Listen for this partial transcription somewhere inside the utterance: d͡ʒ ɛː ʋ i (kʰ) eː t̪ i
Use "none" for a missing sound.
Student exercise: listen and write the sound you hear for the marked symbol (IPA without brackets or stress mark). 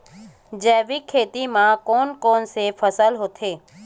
kʰ